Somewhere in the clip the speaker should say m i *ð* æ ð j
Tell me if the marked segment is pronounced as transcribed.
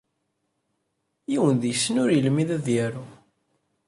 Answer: yes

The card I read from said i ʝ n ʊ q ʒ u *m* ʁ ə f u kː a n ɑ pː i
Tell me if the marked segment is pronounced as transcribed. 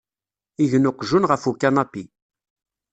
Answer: no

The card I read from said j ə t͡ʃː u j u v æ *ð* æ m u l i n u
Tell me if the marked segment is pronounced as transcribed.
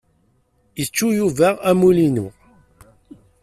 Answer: no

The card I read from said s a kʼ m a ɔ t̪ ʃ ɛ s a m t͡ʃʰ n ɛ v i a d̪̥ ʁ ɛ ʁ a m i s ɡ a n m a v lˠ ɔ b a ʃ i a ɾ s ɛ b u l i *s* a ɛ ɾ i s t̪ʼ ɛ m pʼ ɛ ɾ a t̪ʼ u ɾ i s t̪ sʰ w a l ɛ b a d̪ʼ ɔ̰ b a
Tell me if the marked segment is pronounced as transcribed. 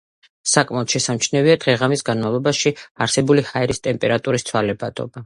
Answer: no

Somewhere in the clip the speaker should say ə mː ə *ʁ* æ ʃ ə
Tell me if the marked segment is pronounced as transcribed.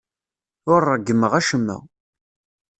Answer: yes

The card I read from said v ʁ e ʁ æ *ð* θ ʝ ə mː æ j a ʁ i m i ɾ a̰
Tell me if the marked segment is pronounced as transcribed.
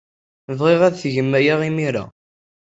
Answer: yes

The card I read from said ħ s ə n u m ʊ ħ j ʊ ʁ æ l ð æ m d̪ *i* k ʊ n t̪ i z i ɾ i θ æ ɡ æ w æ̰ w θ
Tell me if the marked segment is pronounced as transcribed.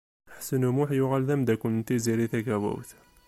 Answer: no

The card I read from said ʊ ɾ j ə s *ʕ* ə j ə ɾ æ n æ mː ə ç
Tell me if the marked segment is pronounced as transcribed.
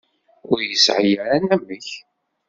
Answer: yes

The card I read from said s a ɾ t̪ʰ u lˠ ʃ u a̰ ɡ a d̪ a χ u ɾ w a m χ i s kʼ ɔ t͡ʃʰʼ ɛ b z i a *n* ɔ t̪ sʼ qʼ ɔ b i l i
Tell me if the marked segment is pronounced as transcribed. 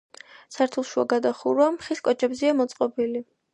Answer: no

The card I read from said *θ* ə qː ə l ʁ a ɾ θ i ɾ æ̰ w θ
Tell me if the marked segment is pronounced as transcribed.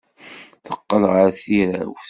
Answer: yes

